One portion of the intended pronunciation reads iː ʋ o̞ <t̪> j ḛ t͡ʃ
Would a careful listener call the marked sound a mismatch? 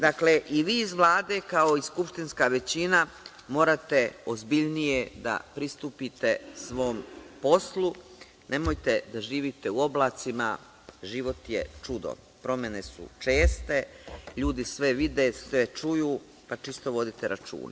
no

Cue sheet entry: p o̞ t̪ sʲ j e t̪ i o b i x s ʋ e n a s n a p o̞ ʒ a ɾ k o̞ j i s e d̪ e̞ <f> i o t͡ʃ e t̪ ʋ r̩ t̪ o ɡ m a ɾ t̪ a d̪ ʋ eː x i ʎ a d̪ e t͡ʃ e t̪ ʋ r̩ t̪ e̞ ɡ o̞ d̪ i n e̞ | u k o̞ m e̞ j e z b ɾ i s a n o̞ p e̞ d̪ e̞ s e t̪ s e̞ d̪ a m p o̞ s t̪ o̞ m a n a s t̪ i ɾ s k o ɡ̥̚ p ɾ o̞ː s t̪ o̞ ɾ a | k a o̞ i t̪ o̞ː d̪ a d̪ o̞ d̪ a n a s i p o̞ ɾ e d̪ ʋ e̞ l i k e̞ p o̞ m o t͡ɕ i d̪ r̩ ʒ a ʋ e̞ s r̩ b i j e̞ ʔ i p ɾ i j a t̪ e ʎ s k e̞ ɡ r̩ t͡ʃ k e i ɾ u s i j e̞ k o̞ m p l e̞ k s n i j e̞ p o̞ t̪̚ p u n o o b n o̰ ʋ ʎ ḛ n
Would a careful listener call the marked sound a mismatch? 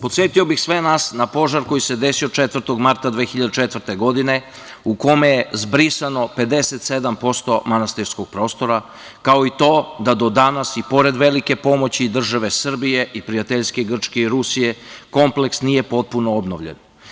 yes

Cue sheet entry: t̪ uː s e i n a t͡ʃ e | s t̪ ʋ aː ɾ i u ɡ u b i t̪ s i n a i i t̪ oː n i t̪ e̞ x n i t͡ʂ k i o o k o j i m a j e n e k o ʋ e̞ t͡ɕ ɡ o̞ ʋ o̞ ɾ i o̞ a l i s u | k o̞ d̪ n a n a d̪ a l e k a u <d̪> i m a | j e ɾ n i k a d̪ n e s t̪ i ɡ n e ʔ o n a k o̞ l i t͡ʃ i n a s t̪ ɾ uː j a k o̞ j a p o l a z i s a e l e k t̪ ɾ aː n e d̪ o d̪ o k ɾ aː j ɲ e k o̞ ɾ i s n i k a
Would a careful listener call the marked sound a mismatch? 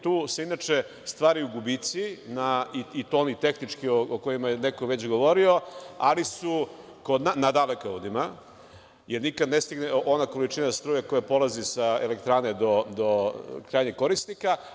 no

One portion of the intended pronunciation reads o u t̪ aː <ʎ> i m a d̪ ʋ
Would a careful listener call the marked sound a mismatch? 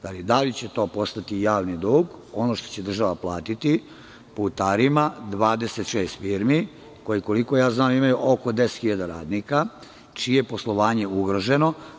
yes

